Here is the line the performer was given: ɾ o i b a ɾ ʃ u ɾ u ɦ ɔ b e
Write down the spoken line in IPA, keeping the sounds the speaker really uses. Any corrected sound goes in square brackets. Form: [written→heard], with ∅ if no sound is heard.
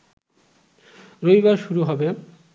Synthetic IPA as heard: ɾ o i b a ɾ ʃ u ɾ u ɦ ɔ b e